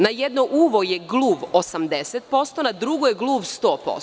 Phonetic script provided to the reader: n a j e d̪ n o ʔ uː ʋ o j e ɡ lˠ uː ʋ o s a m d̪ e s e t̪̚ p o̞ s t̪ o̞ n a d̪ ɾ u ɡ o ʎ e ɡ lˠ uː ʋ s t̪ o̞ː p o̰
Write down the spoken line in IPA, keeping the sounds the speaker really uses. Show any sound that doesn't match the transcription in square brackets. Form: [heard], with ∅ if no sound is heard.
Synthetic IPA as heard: n a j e d̪ n o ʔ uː ʋ o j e ɡ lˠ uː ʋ o s a m d̪ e s e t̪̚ p o̞ s t̪ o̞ n a d̪ ɾ u ɡ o [j] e ɡ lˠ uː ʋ s t̪ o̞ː p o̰